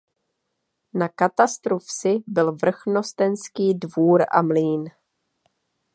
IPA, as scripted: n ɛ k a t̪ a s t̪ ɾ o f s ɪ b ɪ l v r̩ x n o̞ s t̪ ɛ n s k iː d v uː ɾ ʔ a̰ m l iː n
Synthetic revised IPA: n a k a t̪ a s t̪ ɾ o f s ɪ b ɪ l v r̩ x n o̞ s t̪ ɛ n s k iː d v uː ɾ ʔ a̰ m l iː n